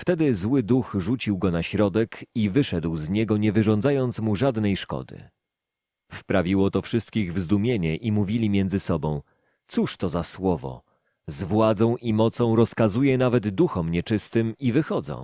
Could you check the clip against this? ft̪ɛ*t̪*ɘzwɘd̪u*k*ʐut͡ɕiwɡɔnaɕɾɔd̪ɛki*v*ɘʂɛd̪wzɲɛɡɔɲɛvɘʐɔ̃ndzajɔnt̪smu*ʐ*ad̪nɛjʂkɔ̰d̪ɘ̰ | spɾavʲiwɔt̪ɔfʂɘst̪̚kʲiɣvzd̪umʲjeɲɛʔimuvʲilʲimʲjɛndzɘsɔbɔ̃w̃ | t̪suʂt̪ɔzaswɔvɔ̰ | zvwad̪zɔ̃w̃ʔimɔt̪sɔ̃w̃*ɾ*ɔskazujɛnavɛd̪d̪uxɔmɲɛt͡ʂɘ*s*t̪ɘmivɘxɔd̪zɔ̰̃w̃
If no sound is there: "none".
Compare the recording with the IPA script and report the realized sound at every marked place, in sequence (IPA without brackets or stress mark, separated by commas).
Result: d̪, x, v, ʐ, ɾ, s